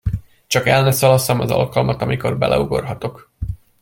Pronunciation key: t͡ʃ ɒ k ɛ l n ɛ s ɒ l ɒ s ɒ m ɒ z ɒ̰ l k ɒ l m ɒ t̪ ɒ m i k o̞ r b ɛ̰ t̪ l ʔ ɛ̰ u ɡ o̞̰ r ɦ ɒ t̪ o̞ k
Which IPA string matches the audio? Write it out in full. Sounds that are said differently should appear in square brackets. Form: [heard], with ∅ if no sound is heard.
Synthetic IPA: t͡ʃ ɒ k ɛ l n ɛ s ɒ l ɒ s ɒ m ɒ z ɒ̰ l k ɒ l m ɒ t̪ ɒ m i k o̞ r b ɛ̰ [∅] l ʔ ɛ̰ u ɡ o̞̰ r ɦ ɒ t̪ o̞ k